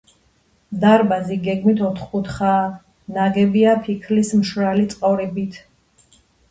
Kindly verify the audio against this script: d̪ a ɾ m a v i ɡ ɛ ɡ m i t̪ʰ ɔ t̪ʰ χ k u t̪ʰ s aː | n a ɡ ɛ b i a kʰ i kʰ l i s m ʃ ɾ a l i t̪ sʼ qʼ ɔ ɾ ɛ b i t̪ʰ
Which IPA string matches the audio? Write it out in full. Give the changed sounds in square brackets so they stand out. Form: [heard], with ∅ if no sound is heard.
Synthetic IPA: d̪ a ɾ [b] a [z] i ɡ ɛ ɡ m i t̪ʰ ɔ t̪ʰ χ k u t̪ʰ [χ] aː | n a ɡ ɛ b i a [pʰ] i kʰ l i s m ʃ ɾ a l i t̪ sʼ qʼ ɔ ɾ ɛ b i t̪ʰ